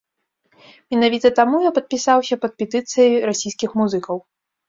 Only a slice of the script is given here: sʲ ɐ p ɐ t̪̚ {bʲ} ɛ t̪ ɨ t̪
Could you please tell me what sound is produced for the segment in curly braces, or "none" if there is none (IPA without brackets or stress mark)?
pʲ